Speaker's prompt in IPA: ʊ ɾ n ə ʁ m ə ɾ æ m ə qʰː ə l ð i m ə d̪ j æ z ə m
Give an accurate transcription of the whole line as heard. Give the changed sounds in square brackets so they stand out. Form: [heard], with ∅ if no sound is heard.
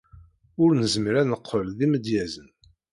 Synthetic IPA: ʊ ɾ n ə [z] m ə ɾ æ [n] ə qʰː ə l ð i m ə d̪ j æ z ə [n]